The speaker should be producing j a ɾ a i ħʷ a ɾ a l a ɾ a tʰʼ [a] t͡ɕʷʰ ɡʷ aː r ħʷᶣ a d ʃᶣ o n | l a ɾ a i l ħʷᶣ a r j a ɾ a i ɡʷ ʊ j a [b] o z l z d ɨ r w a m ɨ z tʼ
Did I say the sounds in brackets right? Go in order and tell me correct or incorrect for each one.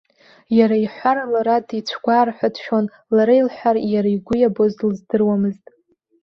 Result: incorrect: i, correct

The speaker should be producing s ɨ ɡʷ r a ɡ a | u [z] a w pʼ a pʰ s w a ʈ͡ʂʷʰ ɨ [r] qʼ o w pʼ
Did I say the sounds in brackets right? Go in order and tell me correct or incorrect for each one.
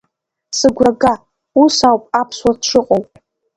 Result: incorrect: s, incorrect: none

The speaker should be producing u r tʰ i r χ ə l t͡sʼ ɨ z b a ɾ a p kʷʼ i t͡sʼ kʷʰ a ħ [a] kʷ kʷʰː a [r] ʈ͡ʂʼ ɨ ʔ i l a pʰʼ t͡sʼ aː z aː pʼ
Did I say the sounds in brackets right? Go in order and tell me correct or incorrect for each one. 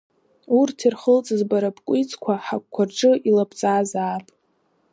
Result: correct, correct

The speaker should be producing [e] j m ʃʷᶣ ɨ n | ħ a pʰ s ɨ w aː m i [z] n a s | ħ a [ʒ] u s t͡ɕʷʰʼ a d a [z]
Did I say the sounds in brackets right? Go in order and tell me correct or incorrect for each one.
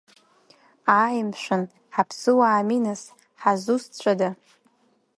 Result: incorrect: a, incorrect: none, incorrect: z, incorrect: none

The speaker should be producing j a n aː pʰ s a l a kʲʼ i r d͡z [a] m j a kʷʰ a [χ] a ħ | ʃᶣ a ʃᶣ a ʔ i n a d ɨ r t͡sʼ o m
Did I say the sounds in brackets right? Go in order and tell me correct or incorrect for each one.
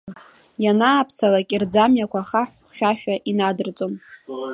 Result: correct, correct

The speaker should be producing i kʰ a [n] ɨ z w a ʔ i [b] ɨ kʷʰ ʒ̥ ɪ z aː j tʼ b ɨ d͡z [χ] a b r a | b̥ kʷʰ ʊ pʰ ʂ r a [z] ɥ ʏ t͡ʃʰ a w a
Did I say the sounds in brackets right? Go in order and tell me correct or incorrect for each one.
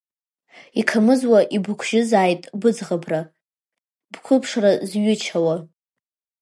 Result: incorrect: m, correct, incorrect: ʁ, correct

